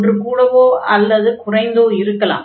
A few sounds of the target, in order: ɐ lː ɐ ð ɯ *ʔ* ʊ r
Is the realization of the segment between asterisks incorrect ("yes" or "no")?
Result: yes